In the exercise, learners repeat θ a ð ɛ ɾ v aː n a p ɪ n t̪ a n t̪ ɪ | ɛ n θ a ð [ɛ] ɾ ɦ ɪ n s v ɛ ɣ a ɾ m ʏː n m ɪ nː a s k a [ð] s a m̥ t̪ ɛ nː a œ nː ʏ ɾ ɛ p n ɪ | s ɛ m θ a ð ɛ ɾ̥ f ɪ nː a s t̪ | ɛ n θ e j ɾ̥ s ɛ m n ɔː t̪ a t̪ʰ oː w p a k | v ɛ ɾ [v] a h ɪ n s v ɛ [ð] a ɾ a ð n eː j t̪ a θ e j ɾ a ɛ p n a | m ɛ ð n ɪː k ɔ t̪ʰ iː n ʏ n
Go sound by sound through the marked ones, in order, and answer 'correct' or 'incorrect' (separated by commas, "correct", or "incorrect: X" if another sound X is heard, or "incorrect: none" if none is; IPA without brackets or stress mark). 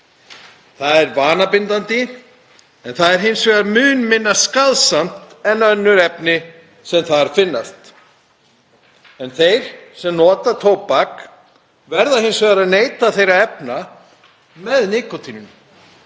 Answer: correct, correct, incorrect: ð, incorrect: ɣ